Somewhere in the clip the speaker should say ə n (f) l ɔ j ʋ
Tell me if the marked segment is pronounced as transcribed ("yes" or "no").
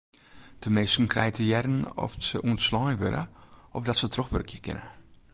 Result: no